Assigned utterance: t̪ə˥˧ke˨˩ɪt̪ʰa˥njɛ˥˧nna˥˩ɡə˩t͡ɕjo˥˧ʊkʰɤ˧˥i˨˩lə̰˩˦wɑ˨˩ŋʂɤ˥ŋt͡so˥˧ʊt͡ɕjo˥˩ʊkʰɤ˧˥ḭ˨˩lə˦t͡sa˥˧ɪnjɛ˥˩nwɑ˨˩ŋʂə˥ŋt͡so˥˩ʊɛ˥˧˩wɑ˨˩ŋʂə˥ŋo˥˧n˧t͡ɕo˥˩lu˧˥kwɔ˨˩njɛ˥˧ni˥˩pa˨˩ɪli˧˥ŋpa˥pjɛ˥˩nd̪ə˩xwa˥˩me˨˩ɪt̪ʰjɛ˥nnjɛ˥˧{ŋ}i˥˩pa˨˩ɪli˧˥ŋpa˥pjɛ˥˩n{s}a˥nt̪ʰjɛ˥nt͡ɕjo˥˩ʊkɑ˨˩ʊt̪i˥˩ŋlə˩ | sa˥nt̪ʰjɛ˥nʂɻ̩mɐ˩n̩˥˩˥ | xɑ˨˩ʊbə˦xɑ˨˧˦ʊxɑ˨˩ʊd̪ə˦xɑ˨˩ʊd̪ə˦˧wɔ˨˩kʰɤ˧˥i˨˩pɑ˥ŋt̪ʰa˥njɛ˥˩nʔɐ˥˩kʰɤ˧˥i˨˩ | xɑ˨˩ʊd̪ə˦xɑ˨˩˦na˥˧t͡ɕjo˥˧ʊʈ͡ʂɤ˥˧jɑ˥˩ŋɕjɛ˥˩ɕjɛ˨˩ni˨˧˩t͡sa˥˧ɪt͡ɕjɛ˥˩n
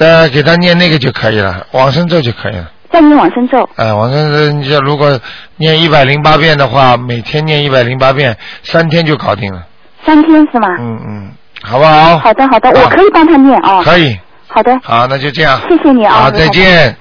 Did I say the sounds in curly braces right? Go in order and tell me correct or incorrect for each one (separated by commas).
incorrect, correct